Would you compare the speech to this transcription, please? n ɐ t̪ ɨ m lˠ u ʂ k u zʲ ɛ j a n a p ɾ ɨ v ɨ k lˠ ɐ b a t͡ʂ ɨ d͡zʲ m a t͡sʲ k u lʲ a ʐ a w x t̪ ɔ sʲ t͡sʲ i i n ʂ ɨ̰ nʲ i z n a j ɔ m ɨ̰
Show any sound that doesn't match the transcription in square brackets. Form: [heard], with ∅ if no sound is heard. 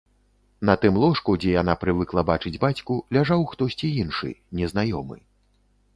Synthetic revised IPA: n ɐ t̪ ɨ m lˠ [ɔ] ʂ k u [d͡zʲ] ɛ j a n a p ɾ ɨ v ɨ k lˠ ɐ b a t͡ʂ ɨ d͡zʲ [b] a t͡sʲ k u lʲ a ʐ a w x t̪ ɔ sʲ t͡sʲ i i n ʂ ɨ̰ nʲ [ɛ] z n a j ɔ m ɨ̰

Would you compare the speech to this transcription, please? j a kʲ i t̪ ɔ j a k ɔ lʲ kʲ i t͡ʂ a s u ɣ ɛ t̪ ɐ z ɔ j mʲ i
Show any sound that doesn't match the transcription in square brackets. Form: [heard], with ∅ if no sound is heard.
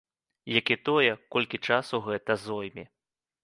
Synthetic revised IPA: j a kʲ i t̪ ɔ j [ɛ] k ɔ lʲ kʲ i t͡ʂ a s u ɣ ɛ t̪ ɐ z ɔ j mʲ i

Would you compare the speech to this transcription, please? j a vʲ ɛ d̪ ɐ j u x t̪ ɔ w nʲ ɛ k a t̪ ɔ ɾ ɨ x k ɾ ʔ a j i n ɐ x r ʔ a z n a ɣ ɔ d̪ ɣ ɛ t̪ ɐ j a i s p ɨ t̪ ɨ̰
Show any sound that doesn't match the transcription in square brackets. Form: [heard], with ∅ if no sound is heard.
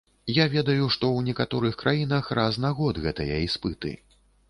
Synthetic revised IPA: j a vʲ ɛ d̪ ɐ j u [ʂ] t̪ ɔ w nʲ ɛ k a t̪ ɔ ɾ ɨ x k ɾ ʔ a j i n ɐ x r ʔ a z n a ɣ ɔ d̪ ɣ ɛ t̪ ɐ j [ɐ] i s p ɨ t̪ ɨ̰

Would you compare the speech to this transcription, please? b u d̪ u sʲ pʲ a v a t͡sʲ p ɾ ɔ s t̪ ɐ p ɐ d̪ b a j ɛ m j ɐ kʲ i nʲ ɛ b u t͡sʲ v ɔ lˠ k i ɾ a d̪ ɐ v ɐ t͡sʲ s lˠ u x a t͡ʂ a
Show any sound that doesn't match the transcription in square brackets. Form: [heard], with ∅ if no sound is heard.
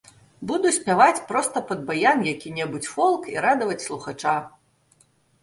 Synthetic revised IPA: b u d̪ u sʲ pʲ a v a t͡sʲ p ɾ ɔ s t̪ ɐ p ɐ d̪ b a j [a] m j [a] kʲ i nʲ ɛ b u t͡sʲ [f] ɔ lˠ k i ɾ a d̪ ɐ v ɐ t͡sʲ s lˠ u x a t͡ʂ a

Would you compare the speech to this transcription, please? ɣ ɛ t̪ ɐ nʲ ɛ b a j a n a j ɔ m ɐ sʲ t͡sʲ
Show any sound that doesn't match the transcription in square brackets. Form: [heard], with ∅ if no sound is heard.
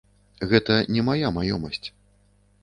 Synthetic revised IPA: ɣ ɛ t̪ ɐ nʲ ɛ [m] a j a [m] a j ɔ m ɐ sʲ t͡sʲ

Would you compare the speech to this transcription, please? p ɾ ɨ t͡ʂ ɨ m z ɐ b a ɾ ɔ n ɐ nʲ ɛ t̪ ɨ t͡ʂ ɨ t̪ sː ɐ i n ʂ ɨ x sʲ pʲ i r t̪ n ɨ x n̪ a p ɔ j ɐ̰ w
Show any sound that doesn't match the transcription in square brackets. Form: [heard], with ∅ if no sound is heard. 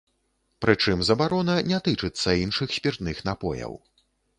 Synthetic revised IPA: p ɾ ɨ t͡ʂ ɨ m z ɐ b a ɾ ɔ n ɐ nʲ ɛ t̪ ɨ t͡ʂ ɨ t̪ sː ɐ i n ʂ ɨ x sʲ pʲ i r t̪ n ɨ x n̪ a p ɔ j ɐ̰ w

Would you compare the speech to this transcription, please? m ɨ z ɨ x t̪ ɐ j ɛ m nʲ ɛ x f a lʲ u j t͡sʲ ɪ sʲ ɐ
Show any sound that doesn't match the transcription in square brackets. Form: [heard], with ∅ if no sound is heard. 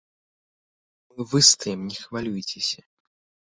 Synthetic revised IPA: m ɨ [v] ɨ [s] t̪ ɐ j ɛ m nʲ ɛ x [v] a lʲ u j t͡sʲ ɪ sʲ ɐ

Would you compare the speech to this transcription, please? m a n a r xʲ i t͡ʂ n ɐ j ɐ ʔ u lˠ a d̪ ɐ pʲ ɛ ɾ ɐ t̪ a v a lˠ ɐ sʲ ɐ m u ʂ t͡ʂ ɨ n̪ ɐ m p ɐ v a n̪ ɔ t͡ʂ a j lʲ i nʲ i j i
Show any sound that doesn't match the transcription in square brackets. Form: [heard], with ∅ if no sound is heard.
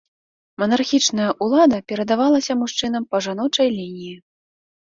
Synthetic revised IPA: m [ɐ] n a r xʲ i t͡ʂ n ɐ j ɐ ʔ u lˠ a d̪ ɐ pʲ ɛ ɾ ɐ [d̪] a v a lˠ ɐ sʲ ɐ m u ʂ t͡ʂ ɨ n̪ ɐ m p ɐ [ʐ] a n̪ ɔ t͡ʂ [ɐ] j lʲ i nʲ i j i

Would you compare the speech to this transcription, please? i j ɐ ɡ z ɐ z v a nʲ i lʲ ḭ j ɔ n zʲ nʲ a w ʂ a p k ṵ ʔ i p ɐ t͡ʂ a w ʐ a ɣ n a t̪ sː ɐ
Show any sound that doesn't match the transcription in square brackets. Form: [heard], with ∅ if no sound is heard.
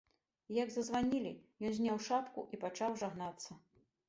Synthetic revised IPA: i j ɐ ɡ z ɐ z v a nʲ i lʲ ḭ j ɔ n zʲ nʲ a w ʂ a p k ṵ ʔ i p [a] t͡ʂ a w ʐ a ɣ n a t̪ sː ɐ

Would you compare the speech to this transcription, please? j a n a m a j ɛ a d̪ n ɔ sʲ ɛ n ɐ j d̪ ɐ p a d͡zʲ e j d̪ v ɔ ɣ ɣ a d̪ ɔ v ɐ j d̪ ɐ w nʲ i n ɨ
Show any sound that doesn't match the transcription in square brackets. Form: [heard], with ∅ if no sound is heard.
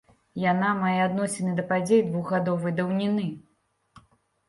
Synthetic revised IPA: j a n a m a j ɛ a d̪ n ɔ sʲ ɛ n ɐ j d̪ ɐ p a d͡zʲ e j d̪ v [u] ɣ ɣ a d̪ ɔ v ɐ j d̪ ɐ w nʲ i n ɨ

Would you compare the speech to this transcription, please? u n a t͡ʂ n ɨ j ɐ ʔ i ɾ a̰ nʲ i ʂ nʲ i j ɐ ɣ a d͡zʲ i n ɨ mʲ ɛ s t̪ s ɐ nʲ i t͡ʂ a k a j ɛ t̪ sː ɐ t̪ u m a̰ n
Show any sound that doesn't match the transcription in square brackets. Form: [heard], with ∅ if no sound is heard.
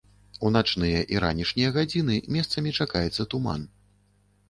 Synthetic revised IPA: u n a t͡ʂ n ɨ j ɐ ʔ i ɾ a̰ nʲ i ʂ nʲ i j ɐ ɣ a d͡zʲ i n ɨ mʲ ɛ s t̪ s ɐ [mʲ] i t͡ʂ a k a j ɛ t̪ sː ɐ t̪ u m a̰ n

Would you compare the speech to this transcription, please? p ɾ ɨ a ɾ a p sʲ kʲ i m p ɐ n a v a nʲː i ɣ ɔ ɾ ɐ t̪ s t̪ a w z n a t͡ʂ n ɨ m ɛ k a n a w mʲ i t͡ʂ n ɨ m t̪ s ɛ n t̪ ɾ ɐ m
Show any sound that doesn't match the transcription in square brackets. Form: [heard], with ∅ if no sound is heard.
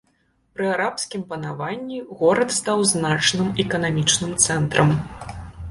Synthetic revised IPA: p ɾ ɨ a ɾ a p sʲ kʲ i m p ɐ n a v a nʲː i ɣ ɔ ɾ ɐ t̪ s t̪ a w z n a t͡ʂ n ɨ m ɛ k [ɐ] n a [∅] mʲ i t͡ʂ n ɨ m t̪ s ɛ n t̪ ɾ ɐ m

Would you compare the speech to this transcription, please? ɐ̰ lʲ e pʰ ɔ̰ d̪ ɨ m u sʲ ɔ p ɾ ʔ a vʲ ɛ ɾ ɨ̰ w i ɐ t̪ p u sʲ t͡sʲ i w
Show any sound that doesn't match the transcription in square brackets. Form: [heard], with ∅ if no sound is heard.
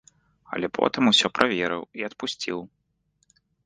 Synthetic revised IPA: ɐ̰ lʲ [ɛ] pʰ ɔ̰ [t̪] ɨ m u sʲ ɔ p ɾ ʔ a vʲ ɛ ɾ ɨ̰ w i ɐ t̪ p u sʲ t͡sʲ i w

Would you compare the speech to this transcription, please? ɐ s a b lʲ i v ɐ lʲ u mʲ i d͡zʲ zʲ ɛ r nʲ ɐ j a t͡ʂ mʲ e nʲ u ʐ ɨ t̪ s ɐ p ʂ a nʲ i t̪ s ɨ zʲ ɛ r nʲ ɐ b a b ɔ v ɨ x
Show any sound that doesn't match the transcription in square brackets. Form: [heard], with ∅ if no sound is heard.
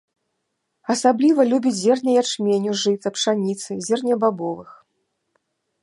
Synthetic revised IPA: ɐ s a b lʲ i v ɐ lʲ u [bʲ] i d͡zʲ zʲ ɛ r nʲ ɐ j a t͡ʂ mʲ e nʲ u ʐ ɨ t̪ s ɐ p ʂ a nʲ i t̪ s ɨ zʲ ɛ r nʲ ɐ b a b ɔ v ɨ x

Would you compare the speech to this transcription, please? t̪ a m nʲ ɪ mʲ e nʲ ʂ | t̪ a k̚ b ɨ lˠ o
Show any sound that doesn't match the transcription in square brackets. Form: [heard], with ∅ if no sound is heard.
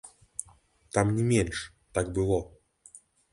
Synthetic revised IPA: t̪ a m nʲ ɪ mʲ e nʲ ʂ | t̪ a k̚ b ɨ lˠ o

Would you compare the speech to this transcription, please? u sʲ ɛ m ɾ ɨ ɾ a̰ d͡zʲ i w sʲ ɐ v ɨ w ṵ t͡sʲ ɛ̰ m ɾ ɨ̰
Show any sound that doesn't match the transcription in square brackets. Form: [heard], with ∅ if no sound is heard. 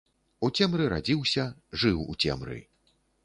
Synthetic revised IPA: u [t͡sʲ] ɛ m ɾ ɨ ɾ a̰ d͡zʲ i w sʲ ɐ [ʐ] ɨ w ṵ t͡sʲ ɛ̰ m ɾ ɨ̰

